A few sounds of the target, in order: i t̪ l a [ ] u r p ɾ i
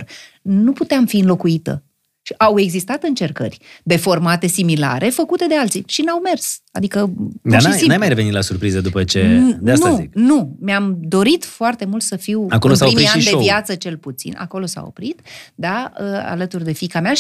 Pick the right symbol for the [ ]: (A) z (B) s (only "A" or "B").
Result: B